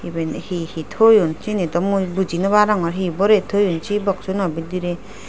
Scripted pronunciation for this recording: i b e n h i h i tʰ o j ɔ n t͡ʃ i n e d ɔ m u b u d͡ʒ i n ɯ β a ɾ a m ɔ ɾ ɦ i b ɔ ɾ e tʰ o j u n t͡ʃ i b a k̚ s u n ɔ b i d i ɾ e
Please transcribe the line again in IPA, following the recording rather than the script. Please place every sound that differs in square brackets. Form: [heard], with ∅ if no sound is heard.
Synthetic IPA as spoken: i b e n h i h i tʰ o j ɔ n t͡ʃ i n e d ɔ m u b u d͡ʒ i n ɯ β a ɾ a [ŋ] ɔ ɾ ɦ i b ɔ ɾ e tʰ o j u n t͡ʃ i b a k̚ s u n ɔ b i d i ɾ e